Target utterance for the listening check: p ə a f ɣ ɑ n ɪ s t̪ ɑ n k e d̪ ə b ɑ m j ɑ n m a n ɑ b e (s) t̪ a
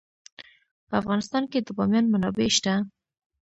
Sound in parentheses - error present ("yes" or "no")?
yes